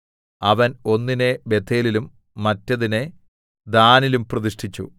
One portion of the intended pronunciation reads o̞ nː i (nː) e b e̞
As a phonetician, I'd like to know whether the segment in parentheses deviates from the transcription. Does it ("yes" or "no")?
yes